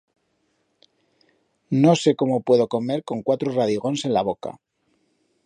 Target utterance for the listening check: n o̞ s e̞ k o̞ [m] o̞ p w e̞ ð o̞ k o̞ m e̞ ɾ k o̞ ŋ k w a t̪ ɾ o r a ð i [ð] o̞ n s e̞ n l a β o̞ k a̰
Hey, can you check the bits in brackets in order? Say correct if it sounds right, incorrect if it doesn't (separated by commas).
correct, incorrect